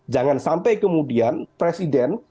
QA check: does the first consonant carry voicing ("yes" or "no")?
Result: yes